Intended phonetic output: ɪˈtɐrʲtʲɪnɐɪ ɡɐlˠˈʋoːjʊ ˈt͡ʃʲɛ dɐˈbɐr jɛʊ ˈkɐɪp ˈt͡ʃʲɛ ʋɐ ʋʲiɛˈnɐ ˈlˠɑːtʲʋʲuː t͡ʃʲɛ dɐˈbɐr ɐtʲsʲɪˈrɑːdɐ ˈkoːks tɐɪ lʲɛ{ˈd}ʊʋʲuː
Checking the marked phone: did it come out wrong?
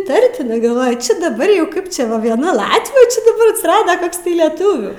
yes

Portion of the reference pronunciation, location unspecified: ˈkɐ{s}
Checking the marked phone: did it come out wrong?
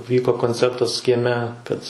yes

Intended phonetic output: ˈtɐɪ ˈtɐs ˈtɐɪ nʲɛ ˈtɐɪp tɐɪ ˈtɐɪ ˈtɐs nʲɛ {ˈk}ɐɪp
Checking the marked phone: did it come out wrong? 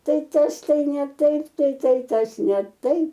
yes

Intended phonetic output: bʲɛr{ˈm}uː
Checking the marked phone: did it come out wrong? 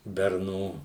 yes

